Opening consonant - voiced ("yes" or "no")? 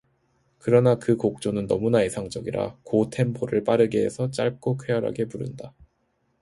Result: no